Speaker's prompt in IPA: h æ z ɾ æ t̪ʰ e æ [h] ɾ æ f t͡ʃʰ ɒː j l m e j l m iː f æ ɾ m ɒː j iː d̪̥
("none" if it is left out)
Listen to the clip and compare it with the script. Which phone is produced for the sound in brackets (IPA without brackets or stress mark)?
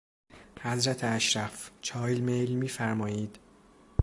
ʃ